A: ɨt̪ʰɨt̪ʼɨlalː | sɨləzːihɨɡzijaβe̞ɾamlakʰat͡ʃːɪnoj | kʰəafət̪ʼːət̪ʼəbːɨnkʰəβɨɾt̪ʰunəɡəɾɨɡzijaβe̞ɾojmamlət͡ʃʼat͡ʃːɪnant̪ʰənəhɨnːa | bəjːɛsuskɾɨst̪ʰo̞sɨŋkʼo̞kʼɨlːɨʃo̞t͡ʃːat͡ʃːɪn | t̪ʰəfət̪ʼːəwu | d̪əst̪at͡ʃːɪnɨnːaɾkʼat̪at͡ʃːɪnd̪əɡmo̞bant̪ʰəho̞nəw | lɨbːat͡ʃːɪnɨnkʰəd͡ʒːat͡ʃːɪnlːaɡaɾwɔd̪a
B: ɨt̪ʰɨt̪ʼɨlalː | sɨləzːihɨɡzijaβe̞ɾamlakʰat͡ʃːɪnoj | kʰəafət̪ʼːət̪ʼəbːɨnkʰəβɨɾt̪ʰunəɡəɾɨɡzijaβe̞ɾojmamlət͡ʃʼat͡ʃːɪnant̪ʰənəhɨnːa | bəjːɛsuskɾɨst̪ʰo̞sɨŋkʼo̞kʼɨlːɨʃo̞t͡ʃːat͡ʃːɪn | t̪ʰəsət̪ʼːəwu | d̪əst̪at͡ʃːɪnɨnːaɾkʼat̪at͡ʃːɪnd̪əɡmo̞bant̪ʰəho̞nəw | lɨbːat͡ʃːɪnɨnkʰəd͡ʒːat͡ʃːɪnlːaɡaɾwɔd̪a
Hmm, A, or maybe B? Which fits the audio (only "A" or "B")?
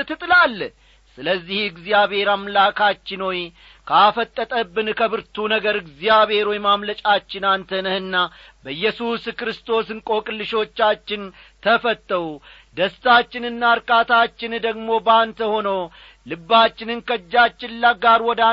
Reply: A